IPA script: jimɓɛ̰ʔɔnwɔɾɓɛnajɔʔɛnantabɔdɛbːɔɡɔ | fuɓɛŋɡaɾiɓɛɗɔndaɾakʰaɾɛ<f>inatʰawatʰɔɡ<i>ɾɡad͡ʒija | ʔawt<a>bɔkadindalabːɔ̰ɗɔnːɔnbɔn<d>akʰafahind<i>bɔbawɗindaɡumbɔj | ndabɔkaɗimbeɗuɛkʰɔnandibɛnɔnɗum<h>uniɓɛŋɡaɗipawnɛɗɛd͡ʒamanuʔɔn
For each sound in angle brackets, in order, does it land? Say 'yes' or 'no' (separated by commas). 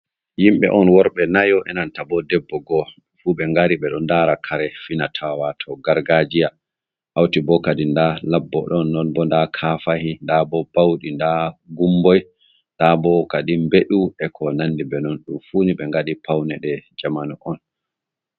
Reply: yes, no, no, yes, no, no